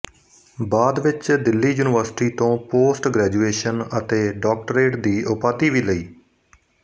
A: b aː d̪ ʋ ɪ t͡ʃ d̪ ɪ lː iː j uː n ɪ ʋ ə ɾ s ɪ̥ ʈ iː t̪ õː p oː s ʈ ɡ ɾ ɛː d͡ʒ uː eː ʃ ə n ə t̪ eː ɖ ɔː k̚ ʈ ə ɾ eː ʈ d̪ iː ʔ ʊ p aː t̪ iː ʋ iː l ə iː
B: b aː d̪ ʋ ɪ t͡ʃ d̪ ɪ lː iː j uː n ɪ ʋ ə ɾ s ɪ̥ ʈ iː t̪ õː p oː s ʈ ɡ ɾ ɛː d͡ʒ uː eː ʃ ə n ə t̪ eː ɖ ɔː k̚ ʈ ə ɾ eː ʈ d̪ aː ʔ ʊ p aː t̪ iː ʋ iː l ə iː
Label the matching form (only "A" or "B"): A